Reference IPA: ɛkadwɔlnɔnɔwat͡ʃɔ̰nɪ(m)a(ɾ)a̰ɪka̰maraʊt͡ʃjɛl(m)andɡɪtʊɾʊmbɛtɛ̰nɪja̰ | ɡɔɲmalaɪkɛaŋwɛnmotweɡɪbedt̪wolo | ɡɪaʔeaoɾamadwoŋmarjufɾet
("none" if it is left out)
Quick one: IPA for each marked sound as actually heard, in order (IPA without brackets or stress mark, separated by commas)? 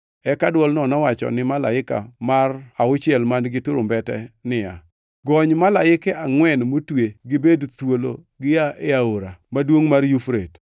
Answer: m, l, m